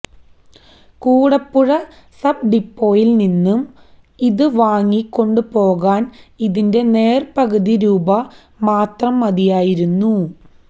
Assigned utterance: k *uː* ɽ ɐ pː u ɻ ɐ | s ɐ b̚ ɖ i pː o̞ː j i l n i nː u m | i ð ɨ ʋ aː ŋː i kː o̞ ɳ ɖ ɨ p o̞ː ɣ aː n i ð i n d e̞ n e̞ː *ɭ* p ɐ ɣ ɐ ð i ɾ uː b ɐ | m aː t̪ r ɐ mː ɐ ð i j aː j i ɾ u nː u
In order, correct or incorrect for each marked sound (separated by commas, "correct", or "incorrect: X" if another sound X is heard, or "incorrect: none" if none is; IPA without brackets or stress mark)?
correct, incorrect: r